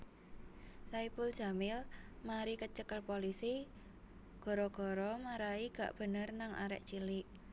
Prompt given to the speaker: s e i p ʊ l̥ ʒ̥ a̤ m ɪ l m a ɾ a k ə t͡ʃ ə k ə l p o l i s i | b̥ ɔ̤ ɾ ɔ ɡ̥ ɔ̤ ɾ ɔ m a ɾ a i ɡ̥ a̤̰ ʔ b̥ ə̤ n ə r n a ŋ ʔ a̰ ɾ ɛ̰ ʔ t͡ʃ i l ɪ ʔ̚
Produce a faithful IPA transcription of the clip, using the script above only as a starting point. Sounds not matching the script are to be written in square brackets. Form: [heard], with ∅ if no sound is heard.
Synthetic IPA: s [a] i p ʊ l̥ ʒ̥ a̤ m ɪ l m a ɾ [i] k ə t͡ʃ ə k ə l p o l i s i | [ɡ̥] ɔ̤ ɾ ɔ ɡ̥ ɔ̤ ɾ ɔ m a ɾ a i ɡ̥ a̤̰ ʔ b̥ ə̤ n ə r n a ŋ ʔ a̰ ɾ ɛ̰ ʔ t͡ʃ i l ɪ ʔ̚